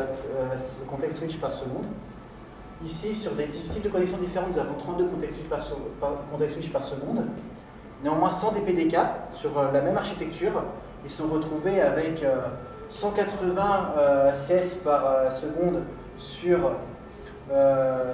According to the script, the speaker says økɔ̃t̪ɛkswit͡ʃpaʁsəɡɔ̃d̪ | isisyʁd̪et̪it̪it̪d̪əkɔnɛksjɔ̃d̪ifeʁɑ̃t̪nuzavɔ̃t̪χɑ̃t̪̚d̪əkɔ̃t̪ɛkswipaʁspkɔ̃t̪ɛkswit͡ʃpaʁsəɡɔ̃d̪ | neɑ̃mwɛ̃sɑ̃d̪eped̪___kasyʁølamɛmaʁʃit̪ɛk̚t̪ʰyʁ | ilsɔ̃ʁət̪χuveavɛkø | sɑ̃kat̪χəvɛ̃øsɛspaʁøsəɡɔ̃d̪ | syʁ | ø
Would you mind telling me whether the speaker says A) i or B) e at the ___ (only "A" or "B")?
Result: B